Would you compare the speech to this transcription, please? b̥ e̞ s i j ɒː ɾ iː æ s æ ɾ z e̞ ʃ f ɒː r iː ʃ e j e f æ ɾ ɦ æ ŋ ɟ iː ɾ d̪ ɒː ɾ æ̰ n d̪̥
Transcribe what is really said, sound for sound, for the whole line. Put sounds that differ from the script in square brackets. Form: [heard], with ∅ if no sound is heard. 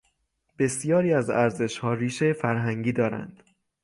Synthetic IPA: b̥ e̞ s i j ɒː ɾ iː æ [z] æ ɾ z e̞ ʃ [h] ɒː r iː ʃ e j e f æ ɾ ɦ æ ŋ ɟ iː [∅] d̪ ɒː ɾ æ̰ n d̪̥